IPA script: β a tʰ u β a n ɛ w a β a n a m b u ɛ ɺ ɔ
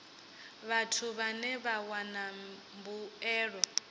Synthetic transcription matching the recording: β a tʰ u β a n ɛ β a w a n a m b u ɛː ɺ ɔ